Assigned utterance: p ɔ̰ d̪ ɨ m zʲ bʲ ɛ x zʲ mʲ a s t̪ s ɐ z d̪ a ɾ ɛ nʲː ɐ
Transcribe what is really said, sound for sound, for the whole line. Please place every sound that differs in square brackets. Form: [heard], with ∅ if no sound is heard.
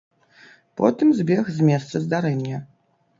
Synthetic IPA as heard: p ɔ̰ [t̪] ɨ m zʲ bʲ ɛ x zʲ mʲ [ɛ] s t̪ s ɐ z d̪ a ɾ ɛ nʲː ɐ